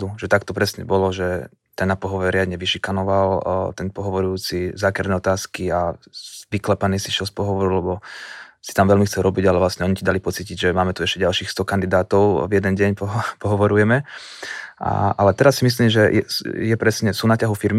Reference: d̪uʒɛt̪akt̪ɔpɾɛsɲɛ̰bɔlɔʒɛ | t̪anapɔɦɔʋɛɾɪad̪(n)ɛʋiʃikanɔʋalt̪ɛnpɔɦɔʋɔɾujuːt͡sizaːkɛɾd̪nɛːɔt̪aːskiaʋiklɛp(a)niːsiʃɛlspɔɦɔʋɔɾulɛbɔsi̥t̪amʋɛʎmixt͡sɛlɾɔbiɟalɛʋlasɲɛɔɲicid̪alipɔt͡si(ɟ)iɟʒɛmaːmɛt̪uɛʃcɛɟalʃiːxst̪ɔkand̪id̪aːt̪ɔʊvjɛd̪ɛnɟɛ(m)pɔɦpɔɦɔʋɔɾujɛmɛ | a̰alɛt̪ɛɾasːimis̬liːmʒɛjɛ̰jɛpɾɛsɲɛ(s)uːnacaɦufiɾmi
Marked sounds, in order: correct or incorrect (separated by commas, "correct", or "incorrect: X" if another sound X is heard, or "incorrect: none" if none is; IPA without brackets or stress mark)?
incorrect: ɲ, correct, incorrect: c, incorrect: ɲ, correct